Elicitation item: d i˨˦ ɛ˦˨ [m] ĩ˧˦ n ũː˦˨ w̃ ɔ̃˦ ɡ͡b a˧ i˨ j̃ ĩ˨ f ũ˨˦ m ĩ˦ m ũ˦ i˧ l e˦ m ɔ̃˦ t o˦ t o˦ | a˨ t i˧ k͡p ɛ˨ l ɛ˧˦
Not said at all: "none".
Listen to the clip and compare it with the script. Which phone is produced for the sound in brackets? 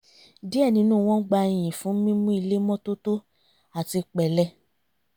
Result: n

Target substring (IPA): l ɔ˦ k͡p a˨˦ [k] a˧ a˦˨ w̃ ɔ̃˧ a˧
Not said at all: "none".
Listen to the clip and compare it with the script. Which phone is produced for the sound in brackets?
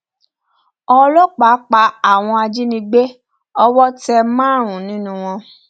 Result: k͡p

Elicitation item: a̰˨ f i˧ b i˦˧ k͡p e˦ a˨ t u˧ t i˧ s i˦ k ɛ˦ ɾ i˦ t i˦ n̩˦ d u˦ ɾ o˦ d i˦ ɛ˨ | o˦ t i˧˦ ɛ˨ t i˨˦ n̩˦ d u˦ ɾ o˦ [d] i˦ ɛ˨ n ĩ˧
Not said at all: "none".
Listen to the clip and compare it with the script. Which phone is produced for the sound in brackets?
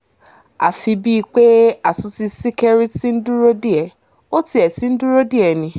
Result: d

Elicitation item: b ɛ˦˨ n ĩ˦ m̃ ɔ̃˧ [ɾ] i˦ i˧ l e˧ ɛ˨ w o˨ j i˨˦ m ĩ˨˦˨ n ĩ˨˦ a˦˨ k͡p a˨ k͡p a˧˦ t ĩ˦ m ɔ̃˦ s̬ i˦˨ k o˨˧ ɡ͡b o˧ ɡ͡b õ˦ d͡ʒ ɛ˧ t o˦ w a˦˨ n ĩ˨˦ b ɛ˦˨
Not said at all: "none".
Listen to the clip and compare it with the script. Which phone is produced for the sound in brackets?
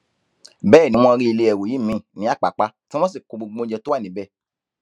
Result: ɾ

